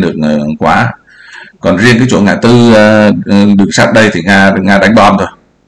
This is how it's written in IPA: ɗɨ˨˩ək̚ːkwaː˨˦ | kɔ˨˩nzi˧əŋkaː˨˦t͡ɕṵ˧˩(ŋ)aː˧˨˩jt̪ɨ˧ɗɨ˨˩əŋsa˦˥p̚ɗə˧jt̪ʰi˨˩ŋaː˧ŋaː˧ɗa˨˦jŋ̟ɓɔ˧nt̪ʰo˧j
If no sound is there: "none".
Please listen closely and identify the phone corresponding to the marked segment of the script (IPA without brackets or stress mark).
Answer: ŋ